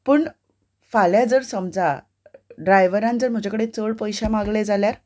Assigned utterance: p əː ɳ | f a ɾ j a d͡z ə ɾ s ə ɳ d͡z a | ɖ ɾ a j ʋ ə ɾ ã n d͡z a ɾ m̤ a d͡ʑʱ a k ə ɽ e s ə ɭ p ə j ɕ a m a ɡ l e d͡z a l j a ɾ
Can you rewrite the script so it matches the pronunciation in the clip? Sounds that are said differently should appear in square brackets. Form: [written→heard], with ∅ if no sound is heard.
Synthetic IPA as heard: p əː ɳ | f a [ɾ→l] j a d͡z ə ɾ s ə [ɳ→m] d͡z a | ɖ ɾ a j ʋ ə ɾ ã n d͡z [a→ə] ɾ m̤ [a→ə] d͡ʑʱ a k ə ɽ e [s→t͡s] ə ɭ p ə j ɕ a m a ɡ l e d͡z a l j a ɾ